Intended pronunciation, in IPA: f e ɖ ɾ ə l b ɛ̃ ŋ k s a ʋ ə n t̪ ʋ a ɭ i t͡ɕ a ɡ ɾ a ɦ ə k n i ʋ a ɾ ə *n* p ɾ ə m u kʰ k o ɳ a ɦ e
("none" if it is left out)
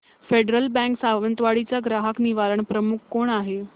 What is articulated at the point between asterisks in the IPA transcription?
ɳ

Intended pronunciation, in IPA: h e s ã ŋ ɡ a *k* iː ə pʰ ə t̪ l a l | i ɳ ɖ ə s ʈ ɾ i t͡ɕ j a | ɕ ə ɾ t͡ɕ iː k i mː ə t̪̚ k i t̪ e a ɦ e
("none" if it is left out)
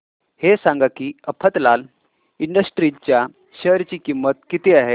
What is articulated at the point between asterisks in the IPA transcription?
k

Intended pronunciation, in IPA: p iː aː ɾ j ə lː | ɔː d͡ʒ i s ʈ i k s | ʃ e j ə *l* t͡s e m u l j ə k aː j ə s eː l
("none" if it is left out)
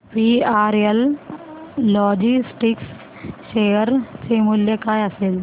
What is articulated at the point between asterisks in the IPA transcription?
ɾ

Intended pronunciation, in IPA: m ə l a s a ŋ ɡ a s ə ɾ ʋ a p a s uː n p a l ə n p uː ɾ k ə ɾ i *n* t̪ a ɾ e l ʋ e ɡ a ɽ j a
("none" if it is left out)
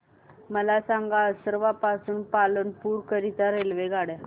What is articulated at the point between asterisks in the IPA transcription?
none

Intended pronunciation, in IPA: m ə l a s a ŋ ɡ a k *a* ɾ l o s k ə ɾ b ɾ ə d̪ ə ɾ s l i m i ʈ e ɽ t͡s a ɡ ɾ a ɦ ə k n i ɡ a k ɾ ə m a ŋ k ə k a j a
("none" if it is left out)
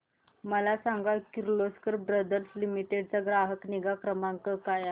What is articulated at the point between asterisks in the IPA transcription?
i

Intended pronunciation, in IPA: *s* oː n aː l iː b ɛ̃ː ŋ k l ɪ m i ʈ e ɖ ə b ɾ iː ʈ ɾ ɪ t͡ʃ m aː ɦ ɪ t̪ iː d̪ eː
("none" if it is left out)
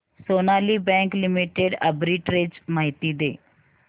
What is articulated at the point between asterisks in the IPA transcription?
s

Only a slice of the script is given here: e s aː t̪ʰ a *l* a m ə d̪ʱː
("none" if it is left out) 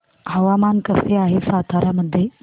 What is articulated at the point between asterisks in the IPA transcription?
ɾ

